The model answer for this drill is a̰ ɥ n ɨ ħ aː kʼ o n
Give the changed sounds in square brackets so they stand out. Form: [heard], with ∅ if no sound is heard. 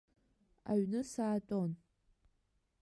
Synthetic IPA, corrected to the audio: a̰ ɥ n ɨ [s] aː [tʼ] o n

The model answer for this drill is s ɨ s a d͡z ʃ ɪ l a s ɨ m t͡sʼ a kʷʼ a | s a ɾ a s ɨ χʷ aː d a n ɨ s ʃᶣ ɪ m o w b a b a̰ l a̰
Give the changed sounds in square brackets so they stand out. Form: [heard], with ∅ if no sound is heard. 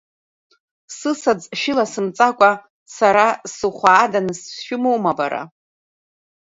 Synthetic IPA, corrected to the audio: s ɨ s a d͡z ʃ ɪ l a s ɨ m t͡sʼ a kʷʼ a | s a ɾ a s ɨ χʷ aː d a n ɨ s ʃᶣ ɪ m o w [m] a b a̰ [ɾ] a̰

